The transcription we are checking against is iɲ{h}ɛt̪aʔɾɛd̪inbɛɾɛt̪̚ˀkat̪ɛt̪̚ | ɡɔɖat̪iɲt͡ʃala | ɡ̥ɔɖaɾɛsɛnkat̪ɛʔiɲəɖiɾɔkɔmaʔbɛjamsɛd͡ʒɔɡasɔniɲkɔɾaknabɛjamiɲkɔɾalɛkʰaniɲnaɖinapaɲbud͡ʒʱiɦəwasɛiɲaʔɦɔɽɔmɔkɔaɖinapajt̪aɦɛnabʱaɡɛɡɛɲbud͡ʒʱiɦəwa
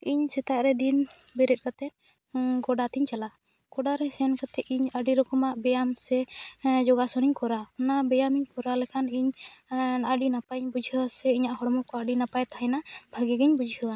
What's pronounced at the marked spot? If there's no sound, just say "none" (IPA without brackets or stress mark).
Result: s